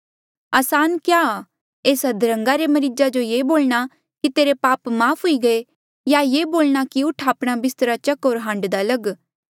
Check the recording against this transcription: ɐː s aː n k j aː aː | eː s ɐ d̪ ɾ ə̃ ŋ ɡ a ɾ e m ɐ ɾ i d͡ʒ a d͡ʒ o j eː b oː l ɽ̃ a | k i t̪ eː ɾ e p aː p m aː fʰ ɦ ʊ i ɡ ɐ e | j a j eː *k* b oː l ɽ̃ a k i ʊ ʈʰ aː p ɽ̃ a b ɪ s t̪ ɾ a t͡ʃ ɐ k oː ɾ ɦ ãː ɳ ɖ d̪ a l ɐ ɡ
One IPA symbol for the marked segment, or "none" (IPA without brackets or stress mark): none